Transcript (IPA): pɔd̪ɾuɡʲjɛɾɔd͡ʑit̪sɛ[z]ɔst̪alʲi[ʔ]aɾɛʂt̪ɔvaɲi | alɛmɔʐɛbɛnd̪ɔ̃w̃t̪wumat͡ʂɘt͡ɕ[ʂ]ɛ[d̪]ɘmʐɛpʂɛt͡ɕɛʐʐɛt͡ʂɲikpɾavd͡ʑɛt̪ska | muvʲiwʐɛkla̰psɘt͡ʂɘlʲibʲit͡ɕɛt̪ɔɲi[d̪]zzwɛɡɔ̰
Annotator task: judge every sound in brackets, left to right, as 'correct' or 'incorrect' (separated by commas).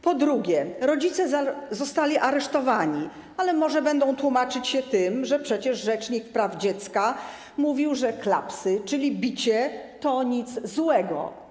correct, correct, incorrect, incorrect, incorrect